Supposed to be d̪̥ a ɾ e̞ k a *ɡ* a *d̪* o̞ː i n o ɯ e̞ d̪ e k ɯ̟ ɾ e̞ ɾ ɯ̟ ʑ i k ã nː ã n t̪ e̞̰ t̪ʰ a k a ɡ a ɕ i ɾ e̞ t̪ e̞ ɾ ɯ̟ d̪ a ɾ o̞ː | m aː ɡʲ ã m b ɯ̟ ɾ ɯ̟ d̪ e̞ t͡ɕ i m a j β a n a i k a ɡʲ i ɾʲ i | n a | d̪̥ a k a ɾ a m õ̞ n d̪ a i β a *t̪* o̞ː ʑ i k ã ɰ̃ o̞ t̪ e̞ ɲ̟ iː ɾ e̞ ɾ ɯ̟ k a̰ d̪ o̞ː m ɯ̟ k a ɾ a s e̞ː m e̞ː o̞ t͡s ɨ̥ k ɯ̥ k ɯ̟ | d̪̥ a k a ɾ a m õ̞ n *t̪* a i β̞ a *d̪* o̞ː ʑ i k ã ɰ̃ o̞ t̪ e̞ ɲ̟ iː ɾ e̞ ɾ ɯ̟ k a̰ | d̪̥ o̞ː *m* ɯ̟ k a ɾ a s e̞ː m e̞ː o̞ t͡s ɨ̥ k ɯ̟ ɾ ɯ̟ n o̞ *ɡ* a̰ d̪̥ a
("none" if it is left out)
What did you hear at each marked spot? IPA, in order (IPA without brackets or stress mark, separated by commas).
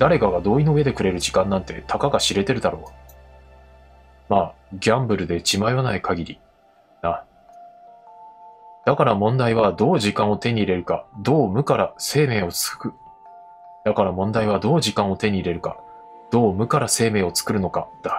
ɡ, d̪, d̪, d̪, d̪, m, k